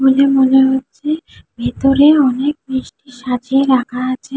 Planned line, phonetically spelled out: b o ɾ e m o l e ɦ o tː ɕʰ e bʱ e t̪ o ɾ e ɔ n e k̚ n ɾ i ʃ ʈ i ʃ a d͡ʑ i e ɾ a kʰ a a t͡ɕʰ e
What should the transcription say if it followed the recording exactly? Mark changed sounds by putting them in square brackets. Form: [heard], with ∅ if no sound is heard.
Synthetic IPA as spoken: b o [l] e m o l e ɦ o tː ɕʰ e bʱ e t̪ o ɾ e ɔ n e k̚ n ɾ i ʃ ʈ i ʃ a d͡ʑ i e ɾ a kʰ a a t͡ɕʰ e